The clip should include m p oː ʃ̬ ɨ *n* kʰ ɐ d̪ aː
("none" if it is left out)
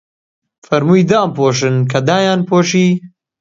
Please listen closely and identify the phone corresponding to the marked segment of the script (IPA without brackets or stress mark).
n